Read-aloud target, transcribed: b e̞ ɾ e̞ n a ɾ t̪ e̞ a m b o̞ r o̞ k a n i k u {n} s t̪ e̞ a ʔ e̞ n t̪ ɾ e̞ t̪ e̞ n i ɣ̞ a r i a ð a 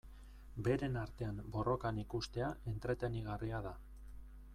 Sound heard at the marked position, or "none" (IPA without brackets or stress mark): none